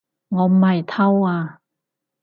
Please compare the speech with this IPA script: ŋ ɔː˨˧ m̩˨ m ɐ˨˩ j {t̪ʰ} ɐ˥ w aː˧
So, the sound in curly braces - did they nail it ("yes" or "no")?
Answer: yes